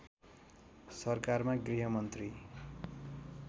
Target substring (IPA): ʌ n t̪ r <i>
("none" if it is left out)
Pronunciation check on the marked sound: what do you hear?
i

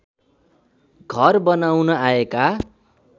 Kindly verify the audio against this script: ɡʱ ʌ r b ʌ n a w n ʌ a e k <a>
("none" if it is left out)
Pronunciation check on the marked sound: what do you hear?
a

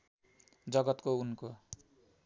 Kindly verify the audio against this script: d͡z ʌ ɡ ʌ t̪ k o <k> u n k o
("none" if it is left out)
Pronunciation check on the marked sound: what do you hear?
none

